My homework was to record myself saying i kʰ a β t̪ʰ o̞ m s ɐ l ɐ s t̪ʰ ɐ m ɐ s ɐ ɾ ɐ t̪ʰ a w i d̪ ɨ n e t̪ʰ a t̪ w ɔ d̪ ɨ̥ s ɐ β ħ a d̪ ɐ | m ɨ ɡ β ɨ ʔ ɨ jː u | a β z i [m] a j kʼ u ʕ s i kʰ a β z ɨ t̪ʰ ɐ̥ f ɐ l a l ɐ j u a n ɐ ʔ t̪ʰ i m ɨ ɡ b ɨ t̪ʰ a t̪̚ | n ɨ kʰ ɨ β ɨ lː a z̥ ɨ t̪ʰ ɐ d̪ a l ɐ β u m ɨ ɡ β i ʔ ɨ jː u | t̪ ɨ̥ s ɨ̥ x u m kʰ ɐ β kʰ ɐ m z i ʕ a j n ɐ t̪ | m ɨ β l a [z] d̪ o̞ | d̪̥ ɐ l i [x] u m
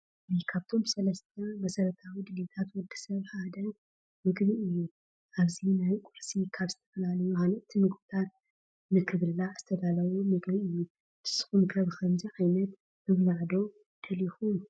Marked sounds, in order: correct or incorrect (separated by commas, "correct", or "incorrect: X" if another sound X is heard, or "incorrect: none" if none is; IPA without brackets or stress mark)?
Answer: incorrect: n, incorrect: ʕ, correct